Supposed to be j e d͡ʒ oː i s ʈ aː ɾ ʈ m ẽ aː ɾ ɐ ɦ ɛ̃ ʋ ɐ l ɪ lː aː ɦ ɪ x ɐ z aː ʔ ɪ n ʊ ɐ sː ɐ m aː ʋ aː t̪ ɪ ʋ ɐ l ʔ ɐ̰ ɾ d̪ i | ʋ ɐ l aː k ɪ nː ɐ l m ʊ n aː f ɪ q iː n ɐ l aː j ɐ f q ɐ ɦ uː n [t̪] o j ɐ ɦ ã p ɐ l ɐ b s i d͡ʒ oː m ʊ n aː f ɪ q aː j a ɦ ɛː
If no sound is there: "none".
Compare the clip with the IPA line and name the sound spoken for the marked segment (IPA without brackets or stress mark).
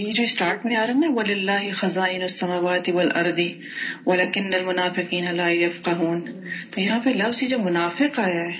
t̪